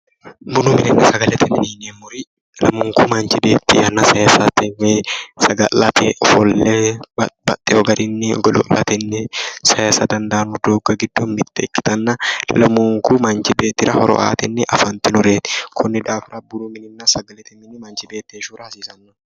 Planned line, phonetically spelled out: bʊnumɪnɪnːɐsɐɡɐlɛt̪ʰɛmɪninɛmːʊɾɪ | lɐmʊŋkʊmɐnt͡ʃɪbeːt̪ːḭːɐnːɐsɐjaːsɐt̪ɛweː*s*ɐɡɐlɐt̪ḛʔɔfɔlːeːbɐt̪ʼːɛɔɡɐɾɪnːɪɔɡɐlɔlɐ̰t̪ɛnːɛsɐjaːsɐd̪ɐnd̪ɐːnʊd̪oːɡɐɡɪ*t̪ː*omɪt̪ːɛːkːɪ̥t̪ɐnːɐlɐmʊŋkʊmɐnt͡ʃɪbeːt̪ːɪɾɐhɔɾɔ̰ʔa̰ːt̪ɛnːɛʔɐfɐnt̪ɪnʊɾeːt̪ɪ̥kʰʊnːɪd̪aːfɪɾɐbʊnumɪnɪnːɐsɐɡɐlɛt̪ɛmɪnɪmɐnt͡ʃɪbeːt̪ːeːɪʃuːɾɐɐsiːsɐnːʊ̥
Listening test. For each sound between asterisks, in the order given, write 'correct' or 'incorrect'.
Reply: correct, incorrect

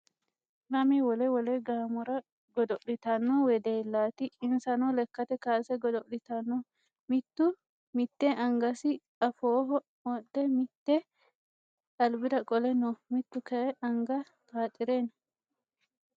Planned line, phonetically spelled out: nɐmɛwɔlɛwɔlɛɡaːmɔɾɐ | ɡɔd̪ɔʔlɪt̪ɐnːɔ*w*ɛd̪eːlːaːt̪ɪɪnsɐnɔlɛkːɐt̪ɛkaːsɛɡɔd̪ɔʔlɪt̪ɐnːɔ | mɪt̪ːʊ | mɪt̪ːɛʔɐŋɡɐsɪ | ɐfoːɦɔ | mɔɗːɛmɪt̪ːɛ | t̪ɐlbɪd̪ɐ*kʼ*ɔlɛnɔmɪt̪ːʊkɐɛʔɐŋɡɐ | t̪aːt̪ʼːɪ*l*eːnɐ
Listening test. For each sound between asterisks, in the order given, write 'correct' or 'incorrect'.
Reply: correct, correct, incorrect

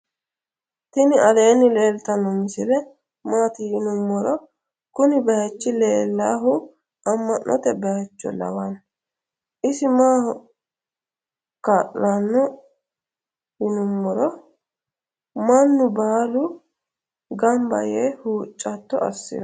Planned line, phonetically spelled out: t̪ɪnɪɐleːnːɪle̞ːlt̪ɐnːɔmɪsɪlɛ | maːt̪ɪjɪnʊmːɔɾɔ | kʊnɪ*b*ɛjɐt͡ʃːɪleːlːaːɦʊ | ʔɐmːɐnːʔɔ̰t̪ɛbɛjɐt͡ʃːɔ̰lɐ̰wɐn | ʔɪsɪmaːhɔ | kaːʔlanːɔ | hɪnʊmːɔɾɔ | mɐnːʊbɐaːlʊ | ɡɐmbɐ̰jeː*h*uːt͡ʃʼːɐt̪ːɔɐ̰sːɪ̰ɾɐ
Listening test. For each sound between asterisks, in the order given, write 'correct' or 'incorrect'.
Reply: correct, correct

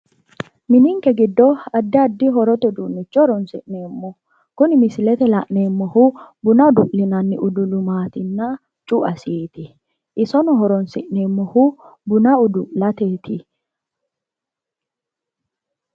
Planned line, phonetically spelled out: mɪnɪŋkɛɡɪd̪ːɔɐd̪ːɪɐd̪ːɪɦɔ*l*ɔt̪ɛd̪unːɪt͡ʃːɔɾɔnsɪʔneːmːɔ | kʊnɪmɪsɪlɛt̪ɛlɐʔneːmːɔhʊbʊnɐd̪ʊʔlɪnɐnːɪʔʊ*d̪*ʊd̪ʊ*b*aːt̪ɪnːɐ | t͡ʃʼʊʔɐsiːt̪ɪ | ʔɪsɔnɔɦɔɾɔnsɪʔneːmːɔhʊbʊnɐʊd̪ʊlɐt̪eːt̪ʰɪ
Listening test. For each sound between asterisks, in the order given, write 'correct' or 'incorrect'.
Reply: incorrect, correct, incorrect

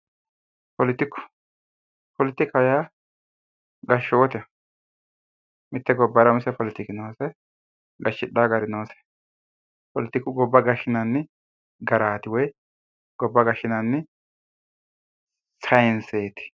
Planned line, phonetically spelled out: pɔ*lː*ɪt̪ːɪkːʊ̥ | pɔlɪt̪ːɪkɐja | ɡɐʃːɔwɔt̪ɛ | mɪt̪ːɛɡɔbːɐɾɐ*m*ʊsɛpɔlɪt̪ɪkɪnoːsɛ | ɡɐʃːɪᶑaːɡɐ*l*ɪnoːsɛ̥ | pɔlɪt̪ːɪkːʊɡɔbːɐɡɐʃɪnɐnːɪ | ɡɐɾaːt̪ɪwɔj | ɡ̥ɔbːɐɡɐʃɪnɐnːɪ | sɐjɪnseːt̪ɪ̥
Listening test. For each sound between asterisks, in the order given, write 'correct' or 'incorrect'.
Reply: incorrect, correct, incorrect

